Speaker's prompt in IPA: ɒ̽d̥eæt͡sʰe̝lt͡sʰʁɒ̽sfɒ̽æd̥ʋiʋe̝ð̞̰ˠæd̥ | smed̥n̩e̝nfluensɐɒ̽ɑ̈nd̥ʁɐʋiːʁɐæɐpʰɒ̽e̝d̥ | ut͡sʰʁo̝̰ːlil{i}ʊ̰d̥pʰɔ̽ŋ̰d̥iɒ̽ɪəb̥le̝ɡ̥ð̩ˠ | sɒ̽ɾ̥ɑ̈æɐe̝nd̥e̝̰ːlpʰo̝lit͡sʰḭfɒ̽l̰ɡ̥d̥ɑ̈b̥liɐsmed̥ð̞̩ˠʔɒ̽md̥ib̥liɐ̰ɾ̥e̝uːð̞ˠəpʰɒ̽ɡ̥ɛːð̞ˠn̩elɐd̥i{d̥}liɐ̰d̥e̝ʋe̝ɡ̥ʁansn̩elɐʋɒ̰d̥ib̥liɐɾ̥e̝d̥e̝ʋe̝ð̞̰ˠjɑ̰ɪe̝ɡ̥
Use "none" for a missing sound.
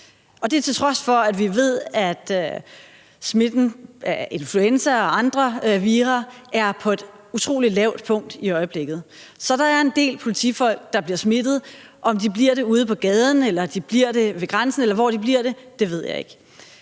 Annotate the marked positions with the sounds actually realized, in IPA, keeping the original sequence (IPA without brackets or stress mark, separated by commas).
ɛ, b̥